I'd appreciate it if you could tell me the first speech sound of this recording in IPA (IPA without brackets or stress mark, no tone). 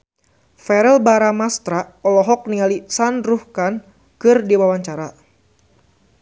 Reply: f